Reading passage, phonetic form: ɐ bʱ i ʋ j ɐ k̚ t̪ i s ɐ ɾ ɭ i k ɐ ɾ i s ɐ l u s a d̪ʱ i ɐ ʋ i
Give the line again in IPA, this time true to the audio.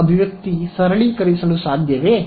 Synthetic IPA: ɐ bʱ i ʋ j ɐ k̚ t̪ i s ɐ ɾ ɭ i k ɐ ɾ i s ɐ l u s a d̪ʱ j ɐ ʋ e